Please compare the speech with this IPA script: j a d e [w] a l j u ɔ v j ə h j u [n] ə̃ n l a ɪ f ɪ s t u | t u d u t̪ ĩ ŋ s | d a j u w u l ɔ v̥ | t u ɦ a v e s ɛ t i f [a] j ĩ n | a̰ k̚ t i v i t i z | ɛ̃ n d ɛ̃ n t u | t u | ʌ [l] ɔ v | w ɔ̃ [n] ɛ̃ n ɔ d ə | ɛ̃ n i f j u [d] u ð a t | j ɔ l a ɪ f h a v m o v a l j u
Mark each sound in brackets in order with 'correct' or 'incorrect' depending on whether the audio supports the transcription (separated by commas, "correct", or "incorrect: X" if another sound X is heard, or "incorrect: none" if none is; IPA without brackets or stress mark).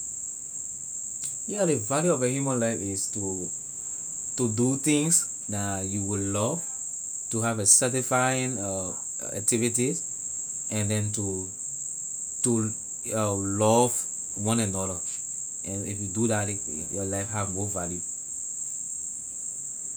incorrect: v, incorrect: m, correct, correct, correct, correct